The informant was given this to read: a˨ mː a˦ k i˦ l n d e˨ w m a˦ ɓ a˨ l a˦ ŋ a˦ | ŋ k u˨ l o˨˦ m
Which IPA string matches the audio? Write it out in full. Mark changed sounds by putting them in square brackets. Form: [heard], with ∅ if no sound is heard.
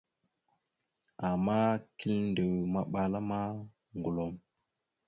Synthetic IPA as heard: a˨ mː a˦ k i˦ l n d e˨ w m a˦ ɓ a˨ l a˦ [m] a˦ | ŋ [ɡ] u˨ l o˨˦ m